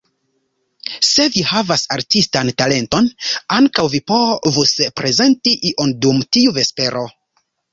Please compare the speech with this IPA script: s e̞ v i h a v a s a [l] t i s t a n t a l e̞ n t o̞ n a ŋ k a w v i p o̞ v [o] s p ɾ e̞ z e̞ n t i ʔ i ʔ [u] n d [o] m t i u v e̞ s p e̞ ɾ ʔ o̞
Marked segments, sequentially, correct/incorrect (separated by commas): incorrect, incorrect, incorrect, incorrect